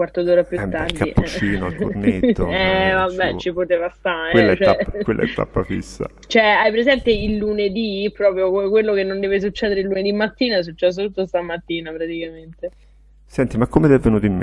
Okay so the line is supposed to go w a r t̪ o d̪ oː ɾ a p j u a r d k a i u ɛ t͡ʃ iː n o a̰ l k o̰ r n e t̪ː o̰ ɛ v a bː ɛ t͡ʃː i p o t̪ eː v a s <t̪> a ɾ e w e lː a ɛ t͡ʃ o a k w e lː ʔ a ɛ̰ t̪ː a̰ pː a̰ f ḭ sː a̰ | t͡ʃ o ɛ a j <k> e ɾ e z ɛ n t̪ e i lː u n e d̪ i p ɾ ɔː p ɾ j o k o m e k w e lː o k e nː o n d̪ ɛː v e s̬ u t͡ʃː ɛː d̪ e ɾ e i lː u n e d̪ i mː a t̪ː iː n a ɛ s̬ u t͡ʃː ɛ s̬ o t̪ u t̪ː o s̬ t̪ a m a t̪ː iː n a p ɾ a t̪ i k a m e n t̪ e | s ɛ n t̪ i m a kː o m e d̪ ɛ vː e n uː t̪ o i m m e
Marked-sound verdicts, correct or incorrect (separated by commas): correct, incorrect